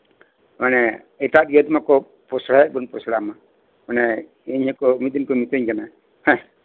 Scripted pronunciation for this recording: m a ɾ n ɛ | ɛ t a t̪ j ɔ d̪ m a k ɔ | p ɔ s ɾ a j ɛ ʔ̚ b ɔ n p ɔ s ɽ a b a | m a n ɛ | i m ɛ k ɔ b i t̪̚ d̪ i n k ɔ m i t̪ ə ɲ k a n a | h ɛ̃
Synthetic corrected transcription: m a n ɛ | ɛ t a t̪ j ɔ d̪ m a k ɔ | p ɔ s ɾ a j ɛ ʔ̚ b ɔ n p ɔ s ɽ a m a | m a n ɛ | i ɲ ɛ k ɔ m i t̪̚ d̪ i n k ɔ m i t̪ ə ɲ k a n a | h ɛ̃